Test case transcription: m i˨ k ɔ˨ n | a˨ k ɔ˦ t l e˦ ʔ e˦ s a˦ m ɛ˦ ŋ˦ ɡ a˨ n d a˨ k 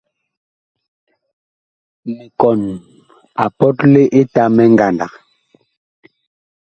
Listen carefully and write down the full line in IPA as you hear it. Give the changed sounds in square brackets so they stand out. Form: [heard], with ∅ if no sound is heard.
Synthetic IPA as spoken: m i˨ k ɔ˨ n | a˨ [p] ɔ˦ t l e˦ ʔ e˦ [t] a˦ m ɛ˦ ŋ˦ ɡ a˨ n d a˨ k

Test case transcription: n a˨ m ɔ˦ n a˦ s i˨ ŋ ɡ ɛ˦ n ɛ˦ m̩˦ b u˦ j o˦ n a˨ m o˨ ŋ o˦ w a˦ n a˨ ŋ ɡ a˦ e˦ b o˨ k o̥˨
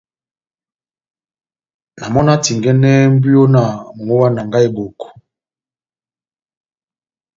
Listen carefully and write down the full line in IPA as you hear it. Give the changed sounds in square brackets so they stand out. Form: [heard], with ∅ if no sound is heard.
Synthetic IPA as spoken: n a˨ m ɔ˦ n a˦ [t] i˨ ŋ ɡ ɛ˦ n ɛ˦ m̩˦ b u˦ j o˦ n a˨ m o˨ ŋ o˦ w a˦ n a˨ ŋ ɡ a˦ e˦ b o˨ k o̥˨

